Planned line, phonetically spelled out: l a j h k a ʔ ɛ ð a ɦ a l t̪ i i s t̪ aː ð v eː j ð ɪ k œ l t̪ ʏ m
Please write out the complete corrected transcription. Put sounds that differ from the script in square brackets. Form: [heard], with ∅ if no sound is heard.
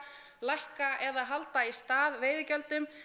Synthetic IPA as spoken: l a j h k a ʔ ɛ ð a ɦ a l t̪ [a] i s t̪ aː ð v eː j ð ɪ [c] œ l t̪ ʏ m